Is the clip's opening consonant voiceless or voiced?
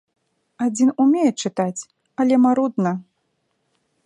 voiced